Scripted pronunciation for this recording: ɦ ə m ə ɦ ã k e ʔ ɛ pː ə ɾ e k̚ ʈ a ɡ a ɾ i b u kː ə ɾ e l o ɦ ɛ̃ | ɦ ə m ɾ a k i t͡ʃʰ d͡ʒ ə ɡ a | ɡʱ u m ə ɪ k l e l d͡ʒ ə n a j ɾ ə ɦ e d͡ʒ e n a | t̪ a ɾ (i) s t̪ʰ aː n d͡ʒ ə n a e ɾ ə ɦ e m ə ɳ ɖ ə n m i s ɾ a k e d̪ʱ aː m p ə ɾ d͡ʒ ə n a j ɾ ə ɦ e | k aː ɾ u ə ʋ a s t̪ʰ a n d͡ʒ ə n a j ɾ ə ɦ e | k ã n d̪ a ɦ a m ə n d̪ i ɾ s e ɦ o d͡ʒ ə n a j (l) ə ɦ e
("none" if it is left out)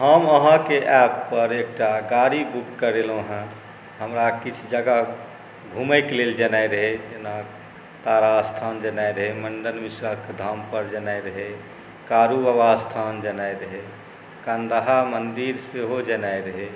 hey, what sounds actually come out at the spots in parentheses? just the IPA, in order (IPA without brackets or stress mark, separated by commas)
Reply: a, ɾ